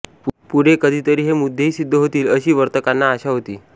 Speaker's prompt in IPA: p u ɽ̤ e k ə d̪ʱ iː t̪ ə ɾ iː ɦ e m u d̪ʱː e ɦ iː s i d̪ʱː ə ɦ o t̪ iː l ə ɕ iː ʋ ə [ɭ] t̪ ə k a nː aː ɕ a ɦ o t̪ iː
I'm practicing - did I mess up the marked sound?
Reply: yes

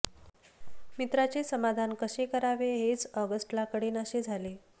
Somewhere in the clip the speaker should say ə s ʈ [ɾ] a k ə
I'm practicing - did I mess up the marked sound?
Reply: yes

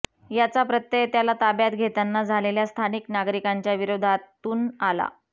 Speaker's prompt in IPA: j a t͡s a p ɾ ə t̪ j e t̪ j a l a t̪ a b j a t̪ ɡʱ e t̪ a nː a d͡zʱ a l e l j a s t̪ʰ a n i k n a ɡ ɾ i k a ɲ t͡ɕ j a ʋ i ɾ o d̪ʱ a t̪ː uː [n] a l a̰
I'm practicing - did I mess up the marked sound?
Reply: no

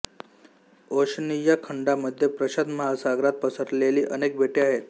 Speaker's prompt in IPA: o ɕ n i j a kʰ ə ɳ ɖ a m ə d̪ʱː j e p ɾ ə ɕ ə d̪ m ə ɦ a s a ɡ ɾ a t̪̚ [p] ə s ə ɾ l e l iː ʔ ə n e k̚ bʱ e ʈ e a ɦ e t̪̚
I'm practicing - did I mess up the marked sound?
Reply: no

